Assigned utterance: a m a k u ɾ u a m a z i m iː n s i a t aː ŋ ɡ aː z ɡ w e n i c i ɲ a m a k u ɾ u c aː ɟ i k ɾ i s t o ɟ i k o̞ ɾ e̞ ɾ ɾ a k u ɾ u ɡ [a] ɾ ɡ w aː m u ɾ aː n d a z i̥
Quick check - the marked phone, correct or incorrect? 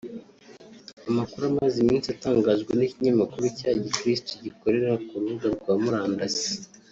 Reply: correct